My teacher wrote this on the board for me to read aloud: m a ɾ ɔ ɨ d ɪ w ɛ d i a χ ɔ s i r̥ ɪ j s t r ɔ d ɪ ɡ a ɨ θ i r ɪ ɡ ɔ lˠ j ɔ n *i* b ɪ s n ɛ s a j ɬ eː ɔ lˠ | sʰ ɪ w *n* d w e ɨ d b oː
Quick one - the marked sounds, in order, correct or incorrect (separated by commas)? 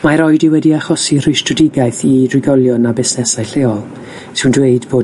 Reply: incorrect, correct